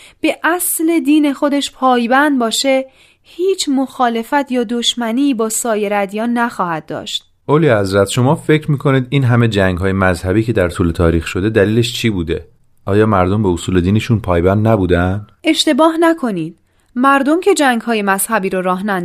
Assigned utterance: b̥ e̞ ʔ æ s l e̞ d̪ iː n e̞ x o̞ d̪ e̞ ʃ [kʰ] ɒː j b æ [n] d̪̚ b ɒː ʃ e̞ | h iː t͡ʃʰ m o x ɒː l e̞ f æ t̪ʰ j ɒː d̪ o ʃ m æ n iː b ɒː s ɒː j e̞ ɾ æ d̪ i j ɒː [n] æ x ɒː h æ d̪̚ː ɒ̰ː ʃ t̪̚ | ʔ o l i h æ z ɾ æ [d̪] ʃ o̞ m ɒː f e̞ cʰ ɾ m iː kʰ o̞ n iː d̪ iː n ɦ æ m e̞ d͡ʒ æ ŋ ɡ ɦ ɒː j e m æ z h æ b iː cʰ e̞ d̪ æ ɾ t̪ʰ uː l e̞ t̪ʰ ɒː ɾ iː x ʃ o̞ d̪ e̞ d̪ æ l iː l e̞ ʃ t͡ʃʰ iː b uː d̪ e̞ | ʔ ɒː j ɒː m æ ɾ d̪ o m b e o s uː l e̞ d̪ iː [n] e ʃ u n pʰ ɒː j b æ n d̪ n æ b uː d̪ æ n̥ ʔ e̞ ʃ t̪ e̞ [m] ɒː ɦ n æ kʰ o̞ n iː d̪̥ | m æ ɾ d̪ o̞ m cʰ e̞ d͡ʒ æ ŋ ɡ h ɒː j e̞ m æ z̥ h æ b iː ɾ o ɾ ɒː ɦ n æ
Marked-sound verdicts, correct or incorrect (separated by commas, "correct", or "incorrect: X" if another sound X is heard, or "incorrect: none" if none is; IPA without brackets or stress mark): incorrect: pʰ, correct, incorrect: nː, incorrect: t̪, correct, incorrect: b